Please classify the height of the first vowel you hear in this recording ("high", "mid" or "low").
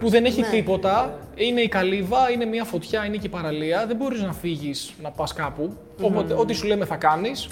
high